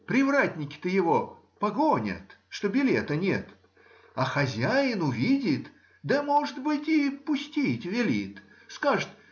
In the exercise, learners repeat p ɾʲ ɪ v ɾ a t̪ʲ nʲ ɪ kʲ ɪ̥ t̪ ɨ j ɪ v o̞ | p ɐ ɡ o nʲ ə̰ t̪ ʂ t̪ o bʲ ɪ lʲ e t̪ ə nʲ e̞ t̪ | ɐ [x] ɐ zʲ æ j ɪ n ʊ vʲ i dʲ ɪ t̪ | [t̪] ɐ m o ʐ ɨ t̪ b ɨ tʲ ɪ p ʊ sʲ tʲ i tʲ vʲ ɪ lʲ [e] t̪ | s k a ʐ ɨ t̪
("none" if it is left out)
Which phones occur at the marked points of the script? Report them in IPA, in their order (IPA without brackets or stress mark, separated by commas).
x, d̪, i